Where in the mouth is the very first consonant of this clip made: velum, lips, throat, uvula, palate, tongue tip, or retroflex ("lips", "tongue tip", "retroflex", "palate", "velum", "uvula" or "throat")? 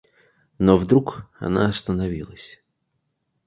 tongue tip